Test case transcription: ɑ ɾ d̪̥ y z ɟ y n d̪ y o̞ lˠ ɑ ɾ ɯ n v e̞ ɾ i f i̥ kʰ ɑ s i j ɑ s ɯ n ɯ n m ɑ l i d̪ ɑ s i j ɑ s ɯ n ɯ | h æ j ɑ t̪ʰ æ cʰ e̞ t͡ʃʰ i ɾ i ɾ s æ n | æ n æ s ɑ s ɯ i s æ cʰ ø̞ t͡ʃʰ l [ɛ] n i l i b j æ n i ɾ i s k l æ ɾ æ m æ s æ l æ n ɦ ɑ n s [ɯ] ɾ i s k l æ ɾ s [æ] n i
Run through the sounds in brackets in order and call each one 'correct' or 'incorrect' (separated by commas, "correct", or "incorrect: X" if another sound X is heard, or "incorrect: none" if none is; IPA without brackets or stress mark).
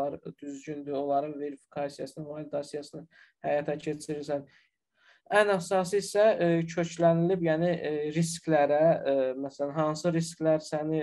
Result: incorrect: æ, correct, correct